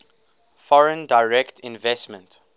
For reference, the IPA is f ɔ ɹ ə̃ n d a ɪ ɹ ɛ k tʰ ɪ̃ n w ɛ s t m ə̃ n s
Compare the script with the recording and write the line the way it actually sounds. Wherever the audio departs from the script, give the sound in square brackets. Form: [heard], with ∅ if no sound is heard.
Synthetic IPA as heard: f ɔ ɹ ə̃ n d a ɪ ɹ ɛ k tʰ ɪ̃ n [v] ɛ s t m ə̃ n [t]

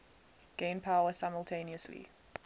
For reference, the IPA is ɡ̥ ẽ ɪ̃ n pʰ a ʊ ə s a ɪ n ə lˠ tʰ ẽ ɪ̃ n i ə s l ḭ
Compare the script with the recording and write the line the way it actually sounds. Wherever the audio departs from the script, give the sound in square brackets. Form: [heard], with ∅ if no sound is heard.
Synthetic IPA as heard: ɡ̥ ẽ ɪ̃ n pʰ a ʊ ə s a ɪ [m] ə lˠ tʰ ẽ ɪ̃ n i ə s l ḭ

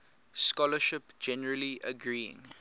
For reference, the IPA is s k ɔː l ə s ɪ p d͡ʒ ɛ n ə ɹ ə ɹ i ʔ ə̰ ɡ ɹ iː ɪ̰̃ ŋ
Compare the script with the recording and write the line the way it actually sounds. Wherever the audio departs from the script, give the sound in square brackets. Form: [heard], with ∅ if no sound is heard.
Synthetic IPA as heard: s k [ɔ] l ə [ʃ] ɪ p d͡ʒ ɛ n ə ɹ ə [l] i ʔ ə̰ ɡ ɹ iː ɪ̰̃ ŋ

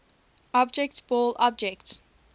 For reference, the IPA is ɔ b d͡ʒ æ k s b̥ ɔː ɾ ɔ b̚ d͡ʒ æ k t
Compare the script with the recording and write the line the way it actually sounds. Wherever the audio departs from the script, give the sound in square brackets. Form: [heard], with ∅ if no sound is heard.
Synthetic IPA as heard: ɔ b d͡ʒ [ɛ] k [t] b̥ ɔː [l] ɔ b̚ d͡ʒ [ɛ] k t

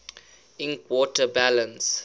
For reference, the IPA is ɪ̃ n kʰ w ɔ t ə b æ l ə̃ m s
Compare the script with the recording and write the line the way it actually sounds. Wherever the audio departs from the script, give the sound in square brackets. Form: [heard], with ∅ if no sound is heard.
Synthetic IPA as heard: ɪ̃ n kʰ w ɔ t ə b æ l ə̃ [n] s

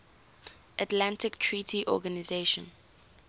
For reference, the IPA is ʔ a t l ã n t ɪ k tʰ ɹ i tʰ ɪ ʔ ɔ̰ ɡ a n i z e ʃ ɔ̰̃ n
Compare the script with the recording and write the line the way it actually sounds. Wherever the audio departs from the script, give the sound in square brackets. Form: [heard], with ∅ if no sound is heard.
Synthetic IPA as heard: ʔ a t l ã n t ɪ k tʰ ɹ i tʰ [i] ʔ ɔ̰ ɡ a n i z e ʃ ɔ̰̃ n

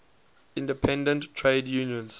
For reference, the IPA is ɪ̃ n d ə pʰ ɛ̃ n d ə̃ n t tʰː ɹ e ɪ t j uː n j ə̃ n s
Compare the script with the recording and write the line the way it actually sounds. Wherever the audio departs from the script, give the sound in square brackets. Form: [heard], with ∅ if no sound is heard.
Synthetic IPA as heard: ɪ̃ n d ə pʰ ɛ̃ n d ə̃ n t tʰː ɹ e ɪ [d] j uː n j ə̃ n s

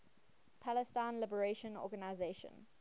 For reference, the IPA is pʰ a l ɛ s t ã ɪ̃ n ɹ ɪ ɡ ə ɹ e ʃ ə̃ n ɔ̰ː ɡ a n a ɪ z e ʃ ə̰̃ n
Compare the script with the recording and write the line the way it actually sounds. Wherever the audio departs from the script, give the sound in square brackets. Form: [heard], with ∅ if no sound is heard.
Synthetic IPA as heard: pʰ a l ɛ s t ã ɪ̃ n [l] ɪ [b] ə ɹ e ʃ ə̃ n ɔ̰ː ɡ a n a ɪ z e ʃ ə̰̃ n

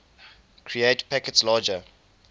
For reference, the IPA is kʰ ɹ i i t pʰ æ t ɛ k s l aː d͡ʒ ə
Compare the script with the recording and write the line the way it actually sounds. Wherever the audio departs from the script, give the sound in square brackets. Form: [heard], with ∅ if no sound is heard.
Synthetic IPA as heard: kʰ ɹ i [e] t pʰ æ [k] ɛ [t] s l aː d͡ʒ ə

